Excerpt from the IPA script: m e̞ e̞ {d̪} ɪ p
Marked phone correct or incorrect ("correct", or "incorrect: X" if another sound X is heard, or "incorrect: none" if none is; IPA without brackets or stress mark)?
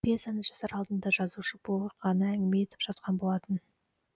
incorrect: t̪